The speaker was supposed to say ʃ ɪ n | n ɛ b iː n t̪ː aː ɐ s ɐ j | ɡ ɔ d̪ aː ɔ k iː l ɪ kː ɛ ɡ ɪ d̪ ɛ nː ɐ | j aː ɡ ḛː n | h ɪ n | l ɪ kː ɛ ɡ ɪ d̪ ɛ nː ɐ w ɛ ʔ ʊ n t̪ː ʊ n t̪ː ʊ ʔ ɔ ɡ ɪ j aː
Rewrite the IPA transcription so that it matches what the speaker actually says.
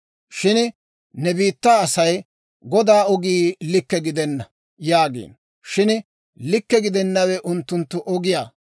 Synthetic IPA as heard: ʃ ɪ n | n ɛ b iː t̪ː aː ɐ s ɐ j | ɡ ɔ d̪ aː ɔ ɡ iː l ɪ kː ɛ ɡ ɪ d̪ ɛ nː ɐ | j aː ɡ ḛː n | ʃ ɪ n | l ɪ kː ɛ ɡ ɪ d̪ ɛ nː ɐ w ɛ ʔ ʊ n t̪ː ʊ n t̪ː ʊ ʔ ɔ ɡ ɪ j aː